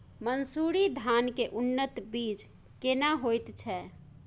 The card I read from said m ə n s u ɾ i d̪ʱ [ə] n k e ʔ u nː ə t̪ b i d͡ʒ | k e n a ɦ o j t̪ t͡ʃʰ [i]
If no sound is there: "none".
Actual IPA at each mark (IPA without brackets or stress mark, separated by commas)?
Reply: a, ɛ